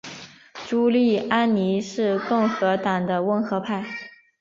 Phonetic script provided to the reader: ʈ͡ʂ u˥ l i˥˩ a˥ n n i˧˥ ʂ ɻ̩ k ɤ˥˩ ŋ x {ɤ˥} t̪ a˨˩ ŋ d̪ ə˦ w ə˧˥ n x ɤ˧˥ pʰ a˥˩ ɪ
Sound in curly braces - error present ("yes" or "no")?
yes